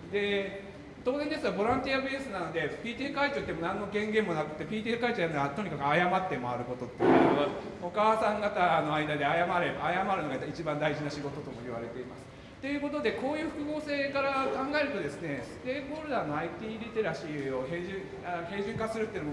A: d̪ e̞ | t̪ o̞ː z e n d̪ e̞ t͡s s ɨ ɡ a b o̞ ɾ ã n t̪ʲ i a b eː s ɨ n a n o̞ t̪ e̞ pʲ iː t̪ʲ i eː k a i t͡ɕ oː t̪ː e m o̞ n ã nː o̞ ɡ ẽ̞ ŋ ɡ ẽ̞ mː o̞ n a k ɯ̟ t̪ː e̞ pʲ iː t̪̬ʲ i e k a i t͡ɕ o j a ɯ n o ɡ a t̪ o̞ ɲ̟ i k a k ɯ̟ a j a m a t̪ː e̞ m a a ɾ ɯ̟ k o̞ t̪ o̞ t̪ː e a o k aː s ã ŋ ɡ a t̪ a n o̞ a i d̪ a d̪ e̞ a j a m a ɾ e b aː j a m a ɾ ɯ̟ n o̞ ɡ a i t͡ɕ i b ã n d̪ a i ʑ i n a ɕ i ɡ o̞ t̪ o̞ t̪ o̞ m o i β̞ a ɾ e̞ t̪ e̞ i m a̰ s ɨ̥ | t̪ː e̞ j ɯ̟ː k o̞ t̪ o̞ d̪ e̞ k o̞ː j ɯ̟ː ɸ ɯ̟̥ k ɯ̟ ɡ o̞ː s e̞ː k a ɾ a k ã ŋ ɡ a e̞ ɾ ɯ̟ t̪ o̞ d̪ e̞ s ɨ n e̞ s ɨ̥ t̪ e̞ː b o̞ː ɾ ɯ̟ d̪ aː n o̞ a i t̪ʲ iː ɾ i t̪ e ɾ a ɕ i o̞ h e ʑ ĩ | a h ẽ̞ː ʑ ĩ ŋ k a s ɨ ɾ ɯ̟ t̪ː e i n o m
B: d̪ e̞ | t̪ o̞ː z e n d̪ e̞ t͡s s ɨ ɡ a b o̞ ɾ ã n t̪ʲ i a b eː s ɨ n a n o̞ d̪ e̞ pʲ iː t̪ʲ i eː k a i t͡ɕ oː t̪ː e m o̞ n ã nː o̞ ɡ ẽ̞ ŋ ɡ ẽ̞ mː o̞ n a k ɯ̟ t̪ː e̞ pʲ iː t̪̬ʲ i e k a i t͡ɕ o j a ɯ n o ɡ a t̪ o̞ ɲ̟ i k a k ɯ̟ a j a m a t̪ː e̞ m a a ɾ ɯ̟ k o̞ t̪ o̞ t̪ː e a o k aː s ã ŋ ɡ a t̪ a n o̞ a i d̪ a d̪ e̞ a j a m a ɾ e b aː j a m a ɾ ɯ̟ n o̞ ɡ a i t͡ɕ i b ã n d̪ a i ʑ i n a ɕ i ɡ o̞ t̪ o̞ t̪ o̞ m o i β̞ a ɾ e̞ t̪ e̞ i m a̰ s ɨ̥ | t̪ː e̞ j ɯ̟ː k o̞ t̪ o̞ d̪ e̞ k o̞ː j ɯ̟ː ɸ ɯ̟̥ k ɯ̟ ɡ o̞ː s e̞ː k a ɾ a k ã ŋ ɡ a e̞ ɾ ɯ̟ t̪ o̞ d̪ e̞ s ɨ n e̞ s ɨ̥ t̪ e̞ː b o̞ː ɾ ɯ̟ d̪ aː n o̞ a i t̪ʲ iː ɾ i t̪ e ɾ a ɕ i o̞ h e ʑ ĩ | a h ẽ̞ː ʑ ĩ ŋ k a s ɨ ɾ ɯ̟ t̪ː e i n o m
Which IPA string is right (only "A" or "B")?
B